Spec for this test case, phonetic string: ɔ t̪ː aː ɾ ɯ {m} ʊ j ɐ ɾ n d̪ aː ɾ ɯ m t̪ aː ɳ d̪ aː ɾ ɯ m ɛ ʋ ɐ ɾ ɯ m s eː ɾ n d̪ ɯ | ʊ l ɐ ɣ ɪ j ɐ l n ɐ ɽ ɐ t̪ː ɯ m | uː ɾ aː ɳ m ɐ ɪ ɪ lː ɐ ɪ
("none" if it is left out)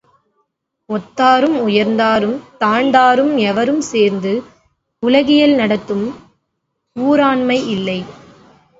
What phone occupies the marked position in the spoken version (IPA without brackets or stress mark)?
m